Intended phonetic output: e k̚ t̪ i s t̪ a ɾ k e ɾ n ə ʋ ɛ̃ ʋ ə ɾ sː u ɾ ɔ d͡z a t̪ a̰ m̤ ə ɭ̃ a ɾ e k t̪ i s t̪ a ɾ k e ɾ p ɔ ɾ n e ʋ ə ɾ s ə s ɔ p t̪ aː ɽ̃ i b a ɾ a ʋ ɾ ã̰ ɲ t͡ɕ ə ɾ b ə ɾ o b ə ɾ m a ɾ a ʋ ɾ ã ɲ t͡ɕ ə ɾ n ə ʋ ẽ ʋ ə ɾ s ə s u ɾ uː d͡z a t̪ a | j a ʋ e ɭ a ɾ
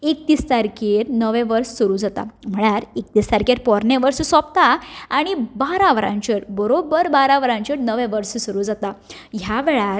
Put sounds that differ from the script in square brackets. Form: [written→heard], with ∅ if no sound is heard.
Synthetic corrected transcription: e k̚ t̪ i s t̪ a ɾ k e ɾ n ə ʋ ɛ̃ ʋ ə ɾ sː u ɾ [ɔ→u] d͡z a t̪ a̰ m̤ ə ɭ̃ a ɾ e k t̪ i s t̪ a ɾ k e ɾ p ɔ ɾ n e ʋ ə ɾ s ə s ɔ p t̪ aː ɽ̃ i b a ɾ a ʋ ɾ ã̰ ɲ t͡ɕ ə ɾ b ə ɾ o b ə ɾ [m→b] a ɾ a ʋ ɾ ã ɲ t͡ɕ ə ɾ n ə ʋ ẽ ʋ ə ɾ s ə s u ɾ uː d͡z a t̪ a | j a ʋ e ɭ a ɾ